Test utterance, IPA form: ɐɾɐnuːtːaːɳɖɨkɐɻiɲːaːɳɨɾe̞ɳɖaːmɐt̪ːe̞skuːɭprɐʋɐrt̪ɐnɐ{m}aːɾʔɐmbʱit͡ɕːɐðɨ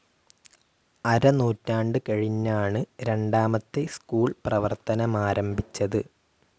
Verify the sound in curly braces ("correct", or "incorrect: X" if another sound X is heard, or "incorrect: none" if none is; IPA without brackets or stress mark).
correct